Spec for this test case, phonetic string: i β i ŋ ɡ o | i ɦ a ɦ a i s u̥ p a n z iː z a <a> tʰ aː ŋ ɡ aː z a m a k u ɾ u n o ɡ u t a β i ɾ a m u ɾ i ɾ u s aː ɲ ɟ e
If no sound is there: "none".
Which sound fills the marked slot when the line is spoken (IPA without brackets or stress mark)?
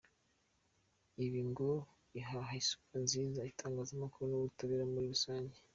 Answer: i